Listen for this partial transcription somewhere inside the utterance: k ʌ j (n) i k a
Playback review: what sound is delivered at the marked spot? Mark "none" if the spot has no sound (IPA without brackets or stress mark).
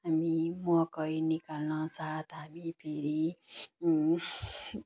n